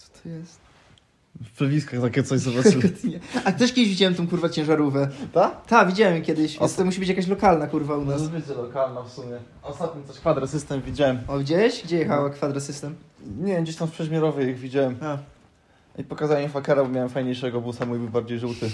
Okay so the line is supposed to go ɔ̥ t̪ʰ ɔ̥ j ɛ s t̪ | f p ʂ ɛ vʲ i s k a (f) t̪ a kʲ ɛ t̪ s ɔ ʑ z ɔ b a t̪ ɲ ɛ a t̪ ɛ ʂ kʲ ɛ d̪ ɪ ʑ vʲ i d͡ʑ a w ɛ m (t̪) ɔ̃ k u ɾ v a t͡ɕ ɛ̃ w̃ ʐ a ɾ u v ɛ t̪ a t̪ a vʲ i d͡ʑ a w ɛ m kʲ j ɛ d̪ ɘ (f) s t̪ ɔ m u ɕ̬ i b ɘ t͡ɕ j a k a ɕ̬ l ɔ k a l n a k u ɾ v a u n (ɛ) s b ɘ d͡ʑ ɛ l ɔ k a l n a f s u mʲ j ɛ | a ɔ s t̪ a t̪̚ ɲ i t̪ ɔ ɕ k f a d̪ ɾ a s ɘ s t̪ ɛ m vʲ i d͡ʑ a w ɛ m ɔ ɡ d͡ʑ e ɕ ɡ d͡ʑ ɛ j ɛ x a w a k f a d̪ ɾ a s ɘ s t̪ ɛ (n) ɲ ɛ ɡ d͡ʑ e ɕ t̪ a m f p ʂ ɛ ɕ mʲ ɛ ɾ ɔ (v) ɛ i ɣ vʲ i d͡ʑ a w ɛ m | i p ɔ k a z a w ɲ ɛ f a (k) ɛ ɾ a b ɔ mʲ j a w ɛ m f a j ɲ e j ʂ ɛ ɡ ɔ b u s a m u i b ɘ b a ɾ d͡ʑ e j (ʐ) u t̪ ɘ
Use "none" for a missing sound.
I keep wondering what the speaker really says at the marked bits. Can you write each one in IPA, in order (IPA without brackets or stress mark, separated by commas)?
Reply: x, t̪, ɕ, a, m, v, k, ʐ